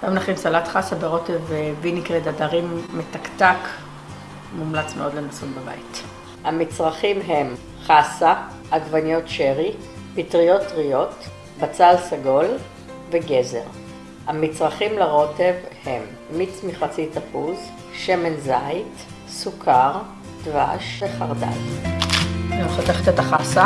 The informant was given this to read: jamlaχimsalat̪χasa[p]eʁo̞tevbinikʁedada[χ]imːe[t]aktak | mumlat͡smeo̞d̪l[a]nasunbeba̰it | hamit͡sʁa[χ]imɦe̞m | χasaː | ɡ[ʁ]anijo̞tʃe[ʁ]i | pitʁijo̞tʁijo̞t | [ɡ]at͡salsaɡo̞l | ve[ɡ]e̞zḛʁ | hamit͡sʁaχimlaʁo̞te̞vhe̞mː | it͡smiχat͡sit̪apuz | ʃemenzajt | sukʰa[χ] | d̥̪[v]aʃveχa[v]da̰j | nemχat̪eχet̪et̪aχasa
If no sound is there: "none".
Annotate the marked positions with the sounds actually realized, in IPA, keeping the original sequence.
b, ʁ, t, e, χ, v, ʁ, b, ɡ, ʁ, v, ʁ

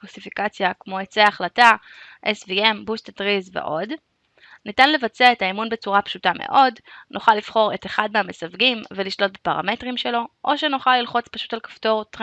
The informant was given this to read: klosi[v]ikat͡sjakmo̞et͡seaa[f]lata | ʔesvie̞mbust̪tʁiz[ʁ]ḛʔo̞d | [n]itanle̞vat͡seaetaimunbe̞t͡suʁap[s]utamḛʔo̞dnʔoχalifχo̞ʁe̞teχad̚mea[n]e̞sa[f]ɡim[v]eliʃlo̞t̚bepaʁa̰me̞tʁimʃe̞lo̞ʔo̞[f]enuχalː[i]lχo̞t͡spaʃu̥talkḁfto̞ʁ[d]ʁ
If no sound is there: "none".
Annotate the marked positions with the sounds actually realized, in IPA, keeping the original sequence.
f, χ, v, n, ʃ, m, v, v, ʃ, i, t

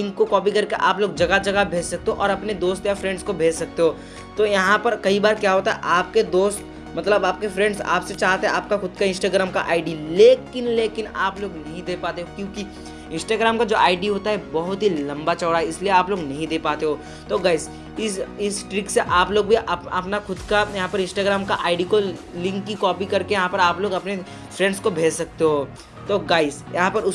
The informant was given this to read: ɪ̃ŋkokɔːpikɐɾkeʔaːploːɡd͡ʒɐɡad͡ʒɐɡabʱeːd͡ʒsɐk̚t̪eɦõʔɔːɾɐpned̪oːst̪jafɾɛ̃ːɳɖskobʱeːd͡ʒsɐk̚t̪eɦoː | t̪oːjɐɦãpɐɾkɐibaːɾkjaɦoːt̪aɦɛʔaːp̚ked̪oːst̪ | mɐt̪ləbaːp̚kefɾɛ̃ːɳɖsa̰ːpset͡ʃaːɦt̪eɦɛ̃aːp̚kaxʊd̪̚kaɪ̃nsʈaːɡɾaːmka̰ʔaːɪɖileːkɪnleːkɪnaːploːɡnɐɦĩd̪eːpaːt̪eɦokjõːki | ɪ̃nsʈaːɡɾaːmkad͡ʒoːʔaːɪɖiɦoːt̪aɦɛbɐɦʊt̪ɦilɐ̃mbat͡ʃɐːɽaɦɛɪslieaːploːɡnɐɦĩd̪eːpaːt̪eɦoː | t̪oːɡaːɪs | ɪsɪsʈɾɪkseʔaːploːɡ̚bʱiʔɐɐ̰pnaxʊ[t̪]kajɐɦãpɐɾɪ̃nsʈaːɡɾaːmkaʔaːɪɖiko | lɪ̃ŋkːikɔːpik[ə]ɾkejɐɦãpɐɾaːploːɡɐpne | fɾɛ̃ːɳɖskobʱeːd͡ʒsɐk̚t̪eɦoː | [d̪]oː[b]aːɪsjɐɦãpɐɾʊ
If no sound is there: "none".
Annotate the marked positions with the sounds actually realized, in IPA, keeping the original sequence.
d̪, ɐ, t̪, ɡ

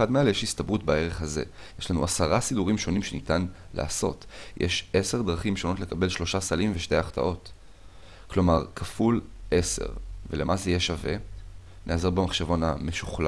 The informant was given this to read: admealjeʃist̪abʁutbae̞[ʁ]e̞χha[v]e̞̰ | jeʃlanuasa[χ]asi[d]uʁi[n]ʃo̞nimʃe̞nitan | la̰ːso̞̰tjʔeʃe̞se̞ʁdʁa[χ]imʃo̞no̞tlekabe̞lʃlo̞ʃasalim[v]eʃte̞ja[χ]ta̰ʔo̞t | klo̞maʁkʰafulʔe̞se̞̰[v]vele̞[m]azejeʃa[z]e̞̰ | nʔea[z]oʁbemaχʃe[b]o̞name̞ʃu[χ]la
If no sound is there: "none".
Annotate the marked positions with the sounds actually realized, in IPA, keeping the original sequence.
ʁ, z, ʁ, d, m, χ, v, χ, ʁ, m, v, z, v, χ

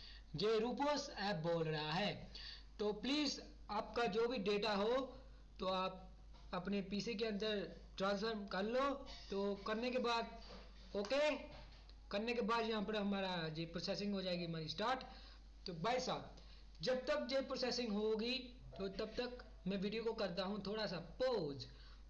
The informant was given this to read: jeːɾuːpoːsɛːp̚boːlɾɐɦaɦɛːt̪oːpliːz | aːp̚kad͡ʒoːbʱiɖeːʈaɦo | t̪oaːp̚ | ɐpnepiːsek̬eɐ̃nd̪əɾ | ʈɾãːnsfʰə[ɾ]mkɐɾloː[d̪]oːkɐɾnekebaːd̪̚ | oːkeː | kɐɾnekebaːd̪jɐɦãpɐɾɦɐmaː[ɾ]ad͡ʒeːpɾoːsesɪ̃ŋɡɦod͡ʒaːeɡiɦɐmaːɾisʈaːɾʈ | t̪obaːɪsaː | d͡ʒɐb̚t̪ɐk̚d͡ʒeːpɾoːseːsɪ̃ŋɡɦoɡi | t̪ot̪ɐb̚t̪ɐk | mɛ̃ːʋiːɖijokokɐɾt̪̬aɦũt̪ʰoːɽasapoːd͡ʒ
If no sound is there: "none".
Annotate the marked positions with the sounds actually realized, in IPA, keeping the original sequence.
ɾ, t̪, ɾ

